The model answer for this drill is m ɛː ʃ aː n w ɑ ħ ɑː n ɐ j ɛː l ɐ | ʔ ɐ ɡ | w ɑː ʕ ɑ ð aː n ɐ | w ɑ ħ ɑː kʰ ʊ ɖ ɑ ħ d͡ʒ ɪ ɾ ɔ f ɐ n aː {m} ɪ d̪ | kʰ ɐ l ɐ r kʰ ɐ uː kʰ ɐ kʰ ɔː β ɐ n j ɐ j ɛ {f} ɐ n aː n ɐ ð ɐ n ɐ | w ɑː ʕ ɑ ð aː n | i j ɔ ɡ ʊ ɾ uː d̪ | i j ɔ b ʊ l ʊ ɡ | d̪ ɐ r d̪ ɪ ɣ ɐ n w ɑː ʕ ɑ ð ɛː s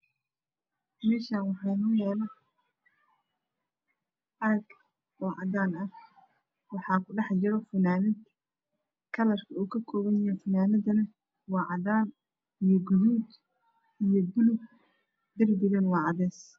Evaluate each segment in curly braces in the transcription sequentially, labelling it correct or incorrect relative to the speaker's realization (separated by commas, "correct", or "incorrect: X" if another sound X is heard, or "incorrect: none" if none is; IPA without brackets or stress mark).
incorrect: n, correct